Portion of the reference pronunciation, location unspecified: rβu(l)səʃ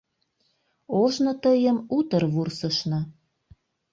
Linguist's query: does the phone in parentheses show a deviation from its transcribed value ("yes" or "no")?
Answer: yes